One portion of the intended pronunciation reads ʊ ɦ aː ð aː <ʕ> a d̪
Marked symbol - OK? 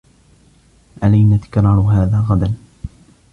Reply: no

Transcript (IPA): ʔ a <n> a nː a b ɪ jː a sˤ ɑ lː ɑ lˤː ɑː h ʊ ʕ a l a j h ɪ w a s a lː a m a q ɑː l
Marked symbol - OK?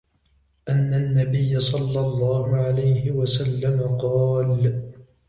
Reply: no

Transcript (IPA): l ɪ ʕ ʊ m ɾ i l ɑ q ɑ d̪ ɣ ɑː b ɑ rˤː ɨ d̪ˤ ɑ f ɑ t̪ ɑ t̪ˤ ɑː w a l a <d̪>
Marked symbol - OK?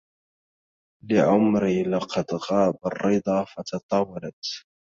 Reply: no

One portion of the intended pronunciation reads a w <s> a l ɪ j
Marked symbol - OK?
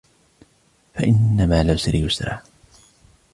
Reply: yes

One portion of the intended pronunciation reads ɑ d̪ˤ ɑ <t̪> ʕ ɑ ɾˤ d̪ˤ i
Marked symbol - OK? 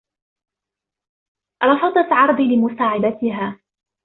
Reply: yes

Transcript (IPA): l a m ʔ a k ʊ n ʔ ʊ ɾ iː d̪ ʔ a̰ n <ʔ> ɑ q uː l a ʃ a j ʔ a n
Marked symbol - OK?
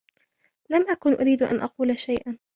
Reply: yes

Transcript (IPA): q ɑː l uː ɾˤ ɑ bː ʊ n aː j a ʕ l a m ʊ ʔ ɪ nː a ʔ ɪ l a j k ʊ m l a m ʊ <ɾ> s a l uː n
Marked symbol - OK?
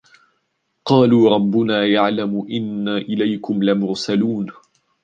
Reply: yes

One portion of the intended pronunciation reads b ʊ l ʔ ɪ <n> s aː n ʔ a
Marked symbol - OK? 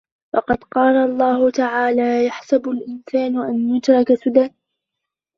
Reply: yes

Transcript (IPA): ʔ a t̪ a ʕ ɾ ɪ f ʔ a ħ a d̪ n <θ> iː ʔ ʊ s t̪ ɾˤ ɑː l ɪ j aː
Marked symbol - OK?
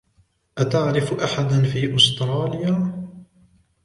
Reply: no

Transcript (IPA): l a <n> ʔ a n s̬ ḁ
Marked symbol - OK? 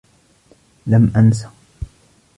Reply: no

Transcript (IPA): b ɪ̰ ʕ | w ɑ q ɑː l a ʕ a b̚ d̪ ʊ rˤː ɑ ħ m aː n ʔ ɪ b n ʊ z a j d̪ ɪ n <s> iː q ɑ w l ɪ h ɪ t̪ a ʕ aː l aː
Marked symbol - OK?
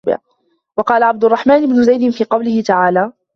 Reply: no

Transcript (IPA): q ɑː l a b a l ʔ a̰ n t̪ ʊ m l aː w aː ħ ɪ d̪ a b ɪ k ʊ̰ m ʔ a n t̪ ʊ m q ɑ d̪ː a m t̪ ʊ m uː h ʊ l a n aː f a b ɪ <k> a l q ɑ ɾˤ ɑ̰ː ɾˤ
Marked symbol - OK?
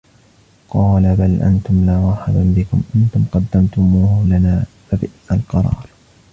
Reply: no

